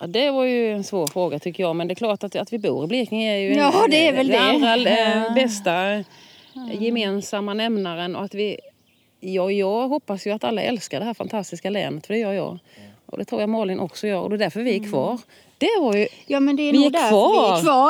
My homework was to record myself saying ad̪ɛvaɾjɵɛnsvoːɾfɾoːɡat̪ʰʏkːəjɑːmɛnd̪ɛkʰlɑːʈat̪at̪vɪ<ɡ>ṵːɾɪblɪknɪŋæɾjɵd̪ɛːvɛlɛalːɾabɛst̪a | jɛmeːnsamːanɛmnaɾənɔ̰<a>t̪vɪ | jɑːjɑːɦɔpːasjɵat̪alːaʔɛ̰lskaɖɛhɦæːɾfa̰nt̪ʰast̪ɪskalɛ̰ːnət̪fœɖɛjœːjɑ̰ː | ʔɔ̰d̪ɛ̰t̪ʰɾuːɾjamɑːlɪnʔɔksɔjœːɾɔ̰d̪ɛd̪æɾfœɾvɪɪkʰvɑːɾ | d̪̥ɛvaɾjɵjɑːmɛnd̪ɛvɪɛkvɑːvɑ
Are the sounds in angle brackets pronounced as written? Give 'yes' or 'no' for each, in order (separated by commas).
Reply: no, yes